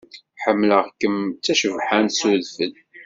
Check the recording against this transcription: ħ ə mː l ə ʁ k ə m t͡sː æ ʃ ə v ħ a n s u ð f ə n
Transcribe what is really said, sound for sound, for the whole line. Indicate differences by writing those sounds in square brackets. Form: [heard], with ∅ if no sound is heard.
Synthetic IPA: ħ ə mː l ə ʁ k ə m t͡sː æ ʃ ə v ħ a n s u ð f ə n